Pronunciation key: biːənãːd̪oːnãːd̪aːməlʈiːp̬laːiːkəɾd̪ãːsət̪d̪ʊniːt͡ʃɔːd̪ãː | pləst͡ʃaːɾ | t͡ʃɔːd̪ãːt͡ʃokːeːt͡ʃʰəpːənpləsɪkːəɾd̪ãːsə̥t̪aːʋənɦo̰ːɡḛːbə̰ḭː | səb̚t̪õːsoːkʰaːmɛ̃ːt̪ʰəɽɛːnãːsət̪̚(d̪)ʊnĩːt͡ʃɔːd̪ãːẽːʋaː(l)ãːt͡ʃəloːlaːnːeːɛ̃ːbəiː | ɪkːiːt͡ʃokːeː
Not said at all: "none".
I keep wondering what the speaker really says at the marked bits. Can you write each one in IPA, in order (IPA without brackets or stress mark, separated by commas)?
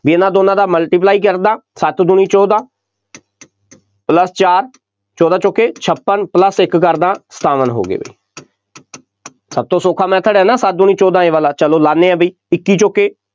d̪, l